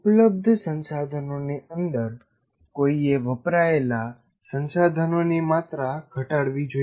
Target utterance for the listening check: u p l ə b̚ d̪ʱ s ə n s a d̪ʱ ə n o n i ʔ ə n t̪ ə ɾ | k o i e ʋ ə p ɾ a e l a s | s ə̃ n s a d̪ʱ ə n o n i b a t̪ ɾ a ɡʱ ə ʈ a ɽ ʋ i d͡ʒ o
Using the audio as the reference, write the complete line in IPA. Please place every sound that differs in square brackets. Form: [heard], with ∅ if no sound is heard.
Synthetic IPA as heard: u p l ə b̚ d̪ʱ s ə n s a d̪ʱ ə n o n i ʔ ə n [d̪] ə ɾ | k o i e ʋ ə p ɾ a e l a [∅] | s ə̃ n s a d̪ʱ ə n o n i [m] a t̪ ɾ a ɡʱ ə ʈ a ɽ ʋ i d͡ʒ o